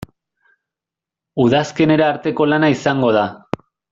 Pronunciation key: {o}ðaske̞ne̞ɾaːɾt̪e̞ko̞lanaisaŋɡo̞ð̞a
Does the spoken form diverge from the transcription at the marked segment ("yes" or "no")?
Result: yes